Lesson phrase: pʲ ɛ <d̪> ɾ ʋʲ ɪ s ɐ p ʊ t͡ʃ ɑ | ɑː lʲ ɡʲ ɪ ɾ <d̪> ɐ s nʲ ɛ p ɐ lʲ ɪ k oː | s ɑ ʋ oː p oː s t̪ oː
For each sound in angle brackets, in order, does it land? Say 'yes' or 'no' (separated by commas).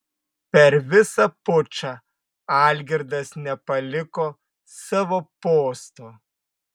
no, yes